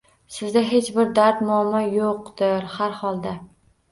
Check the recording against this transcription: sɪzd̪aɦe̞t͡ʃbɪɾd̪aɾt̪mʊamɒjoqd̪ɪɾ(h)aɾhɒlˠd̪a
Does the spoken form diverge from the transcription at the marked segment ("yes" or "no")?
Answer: no